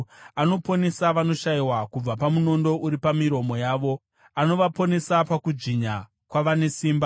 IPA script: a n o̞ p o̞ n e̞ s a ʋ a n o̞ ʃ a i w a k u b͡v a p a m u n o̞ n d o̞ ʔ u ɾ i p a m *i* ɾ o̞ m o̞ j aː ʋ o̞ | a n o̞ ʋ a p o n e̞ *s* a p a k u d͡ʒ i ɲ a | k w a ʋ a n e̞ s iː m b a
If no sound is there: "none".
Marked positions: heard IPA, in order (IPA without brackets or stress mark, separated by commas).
i, s